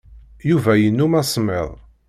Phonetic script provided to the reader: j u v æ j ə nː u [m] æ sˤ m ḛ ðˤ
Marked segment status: correct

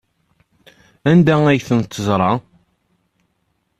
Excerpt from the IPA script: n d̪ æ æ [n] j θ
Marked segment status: incorrect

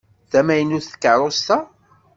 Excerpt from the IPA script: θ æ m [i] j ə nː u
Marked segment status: incorrect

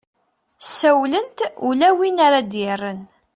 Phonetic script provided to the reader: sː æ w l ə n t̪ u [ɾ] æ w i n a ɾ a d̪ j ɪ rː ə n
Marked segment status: incorrect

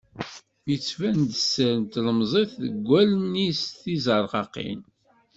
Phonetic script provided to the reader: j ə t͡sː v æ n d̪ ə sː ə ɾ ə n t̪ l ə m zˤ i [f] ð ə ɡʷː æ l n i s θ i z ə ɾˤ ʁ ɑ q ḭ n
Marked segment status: incorrect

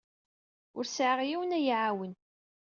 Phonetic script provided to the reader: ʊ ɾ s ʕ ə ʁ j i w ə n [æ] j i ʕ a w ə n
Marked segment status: correct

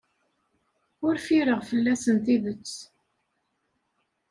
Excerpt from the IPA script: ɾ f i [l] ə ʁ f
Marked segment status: incorrect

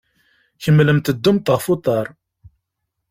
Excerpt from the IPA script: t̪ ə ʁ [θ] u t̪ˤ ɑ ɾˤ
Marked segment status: incorrect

